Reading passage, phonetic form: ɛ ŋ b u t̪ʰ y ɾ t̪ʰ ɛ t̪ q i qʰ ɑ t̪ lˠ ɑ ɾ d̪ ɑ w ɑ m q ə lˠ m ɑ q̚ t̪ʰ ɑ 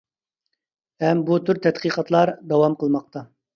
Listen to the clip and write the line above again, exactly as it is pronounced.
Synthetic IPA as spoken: ɛ m b u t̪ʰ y ɾ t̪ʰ ɛ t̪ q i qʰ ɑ t̪ lˠ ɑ ɾ d̪ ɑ w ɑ m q ə lˠ m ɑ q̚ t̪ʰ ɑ